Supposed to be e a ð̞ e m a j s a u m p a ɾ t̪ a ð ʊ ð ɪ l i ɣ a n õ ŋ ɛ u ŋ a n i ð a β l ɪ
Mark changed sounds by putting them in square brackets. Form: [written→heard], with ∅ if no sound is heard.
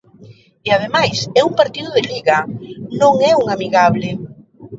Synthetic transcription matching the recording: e a ð̞ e m a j s [a→ɛ] u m p a ɾ t̪ [a→i] ð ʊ ð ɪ l i ɣ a n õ ŋ ɛ u ŋ a [n→m] i [ð→ɣ] a β l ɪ

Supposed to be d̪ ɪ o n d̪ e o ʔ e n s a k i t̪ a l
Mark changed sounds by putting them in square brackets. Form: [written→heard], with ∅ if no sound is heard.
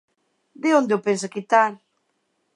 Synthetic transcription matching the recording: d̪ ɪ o n d̪ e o [ʔ→p] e n s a k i t̪ a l

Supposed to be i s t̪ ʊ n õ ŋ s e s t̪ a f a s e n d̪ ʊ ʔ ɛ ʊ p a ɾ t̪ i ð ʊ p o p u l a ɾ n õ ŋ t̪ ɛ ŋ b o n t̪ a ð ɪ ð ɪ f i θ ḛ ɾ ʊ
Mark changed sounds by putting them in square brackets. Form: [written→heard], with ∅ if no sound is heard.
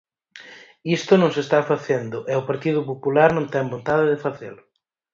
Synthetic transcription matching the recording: i s t̪ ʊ n õ ŋ s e s t̪ a f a [s→θ] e n d̪ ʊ ʔ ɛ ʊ p a ɾ t̪ i ð ʊ p o p u l a ɾ n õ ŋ t̪ ɛ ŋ b o n t̪ a ð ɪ ð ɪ f [i→a] θ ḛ [ɾ→l] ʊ

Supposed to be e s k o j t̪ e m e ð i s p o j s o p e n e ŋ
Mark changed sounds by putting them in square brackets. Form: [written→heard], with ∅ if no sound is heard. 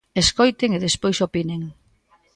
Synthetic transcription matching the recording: e s k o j t̪ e [m→ŋ] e ð [i→e] s p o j s o p [e→i] n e ŋ

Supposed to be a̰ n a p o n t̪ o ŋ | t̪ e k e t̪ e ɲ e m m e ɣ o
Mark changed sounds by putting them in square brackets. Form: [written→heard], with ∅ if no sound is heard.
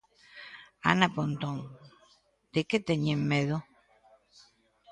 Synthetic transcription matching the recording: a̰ n a p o n t̪ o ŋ | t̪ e k e t̪ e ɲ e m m e [ɣ→ð] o

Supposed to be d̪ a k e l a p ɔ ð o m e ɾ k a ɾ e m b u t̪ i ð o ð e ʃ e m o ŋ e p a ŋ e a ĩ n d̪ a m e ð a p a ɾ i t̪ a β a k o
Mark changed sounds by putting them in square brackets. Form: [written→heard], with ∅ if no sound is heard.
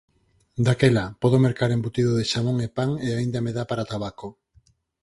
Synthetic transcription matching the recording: d̪ a k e l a p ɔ ð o m e ɾ k a ɾ e m b u t̪ i ð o ð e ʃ [e→a] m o ŋ e p a ŋ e a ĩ n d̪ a m e ð a p a ɾ [i→a] t̪ a β a k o

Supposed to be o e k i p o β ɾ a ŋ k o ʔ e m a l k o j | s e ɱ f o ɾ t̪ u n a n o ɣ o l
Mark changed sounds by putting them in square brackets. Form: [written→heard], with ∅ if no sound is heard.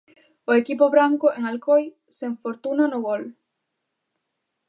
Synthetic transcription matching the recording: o e k i p o β ɾ a ŋ k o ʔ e [m→ŋ] a l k o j | s e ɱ f o ɾ t̪ u n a n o ɣ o l

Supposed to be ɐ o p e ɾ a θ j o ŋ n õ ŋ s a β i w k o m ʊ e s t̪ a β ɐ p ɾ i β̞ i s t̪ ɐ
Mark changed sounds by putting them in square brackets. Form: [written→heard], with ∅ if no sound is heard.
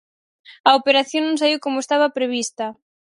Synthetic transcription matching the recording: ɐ o p e ɾ a θ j o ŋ n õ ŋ s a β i w k o m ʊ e s t̪ a β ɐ p ɾ [i→e] β̞ i s t̪ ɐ

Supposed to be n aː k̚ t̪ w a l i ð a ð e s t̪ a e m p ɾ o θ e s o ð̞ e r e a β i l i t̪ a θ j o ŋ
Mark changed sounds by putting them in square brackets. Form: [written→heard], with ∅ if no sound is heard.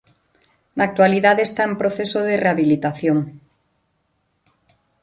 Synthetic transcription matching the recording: n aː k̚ t̪ w a l i ð a ð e s t̪ a e m p ɾ o θ e s o ð̞ e r e a β i l i t̪ a θ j o ŋ

